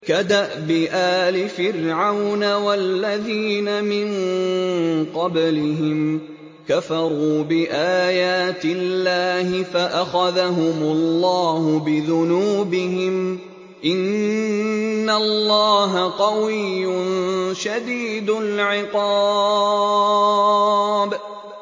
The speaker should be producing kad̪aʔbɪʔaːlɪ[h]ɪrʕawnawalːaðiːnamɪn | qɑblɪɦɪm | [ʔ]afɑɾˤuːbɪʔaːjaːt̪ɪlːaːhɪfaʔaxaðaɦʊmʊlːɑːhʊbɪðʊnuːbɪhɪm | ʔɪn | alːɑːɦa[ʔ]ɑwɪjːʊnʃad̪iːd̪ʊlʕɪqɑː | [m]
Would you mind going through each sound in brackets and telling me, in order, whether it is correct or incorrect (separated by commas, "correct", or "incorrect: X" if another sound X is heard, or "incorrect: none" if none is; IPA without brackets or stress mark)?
incorrect: f, incorrect: k, incorrect: q, incorrect: b